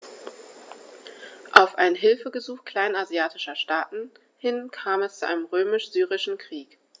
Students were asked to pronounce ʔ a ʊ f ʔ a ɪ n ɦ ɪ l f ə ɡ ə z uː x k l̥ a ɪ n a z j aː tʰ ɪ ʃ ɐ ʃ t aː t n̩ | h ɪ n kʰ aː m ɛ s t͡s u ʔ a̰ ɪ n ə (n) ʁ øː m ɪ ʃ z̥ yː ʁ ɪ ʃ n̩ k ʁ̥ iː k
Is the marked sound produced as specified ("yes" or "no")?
no